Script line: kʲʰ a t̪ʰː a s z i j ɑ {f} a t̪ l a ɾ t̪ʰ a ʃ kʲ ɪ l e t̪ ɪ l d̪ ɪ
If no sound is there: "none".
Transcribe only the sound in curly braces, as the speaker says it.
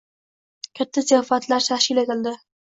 f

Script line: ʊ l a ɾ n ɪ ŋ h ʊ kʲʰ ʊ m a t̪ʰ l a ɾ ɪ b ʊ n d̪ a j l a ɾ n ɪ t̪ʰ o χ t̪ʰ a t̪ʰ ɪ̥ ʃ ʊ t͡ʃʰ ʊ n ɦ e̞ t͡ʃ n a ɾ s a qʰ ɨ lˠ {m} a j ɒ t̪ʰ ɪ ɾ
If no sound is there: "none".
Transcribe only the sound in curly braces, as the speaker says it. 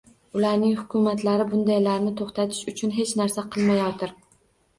m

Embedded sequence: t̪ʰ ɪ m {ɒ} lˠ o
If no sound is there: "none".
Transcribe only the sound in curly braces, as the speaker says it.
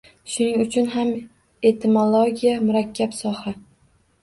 o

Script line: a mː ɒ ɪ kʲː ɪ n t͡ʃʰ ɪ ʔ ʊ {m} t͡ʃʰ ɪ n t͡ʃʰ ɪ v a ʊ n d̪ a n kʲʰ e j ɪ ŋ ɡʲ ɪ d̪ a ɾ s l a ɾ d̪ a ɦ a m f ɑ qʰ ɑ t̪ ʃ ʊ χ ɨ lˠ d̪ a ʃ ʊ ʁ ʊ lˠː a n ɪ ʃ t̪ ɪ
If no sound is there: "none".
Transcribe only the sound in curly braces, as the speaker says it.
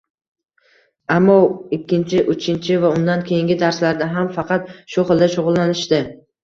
none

